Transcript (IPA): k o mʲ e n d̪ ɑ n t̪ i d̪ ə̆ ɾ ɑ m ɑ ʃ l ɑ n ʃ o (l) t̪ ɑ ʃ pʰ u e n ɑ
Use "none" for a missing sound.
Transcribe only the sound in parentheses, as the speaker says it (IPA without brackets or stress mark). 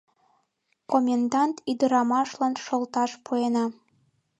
l